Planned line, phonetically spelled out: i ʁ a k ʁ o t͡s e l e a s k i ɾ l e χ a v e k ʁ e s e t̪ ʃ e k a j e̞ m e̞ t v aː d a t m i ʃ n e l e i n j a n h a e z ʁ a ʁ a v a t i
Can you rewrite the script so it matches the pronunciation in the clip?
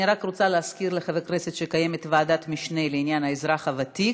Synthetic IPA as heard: i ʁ a k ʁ o t͡s a l e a s k i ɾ l e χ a v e k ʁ e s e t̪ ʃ e k a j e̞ m e̞ t v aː d a t m i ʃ n e l e i n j a n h a e z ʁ a χ a v a t i